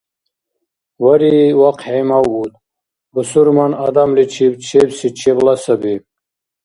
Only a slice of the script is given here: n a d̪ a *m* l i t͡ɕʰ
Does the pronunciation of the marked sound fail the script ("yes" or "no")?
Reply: no